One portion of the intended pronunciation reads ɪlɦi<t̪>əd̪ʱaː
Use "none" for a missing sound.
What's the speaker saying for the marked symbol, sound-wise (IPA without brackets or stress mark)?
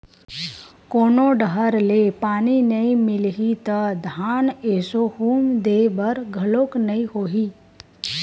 t̪